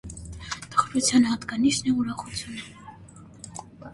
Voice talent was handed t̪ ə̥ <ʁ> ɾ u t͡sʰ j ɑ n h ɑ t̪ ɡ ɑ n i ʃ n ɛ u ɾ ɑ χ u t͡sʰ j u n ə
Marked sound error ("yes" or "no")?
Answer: yes